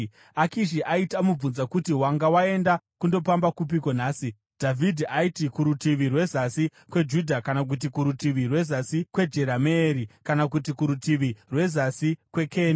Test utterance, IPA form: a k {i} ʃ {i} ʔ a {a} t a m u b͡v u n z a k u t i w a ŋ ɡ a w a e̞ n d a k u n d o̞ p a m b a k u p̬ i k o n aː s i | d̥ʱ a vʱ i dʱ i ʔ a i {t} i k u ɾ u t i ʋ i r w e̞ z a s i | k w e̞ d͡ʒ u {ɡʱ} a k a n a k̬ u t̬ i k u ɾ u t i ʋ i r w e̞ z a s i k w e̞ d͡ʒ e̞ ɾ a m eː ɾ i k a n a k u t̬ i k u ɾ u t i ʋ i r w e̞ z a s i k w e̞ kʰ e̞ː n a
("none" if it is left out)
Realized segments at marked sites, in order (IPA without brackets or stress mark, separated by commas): i, i, i, t, dʱ